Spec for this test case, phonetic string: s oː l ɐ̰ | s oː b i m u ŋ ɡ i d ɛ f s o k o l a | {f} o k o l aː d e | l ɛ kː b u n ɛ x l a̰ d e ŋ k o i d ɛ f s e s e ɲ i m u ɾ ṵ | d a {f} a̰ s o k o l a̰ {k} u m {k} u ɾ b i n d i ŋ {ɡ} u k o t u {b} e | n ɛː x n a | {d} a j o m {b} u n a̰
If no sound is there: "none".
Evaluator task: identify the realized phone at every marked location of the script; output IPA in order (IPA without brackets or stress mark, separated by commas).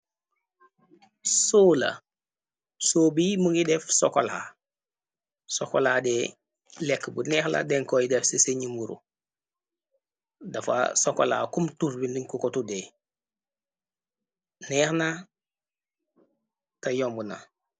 s, f, k, t, k, d, t, b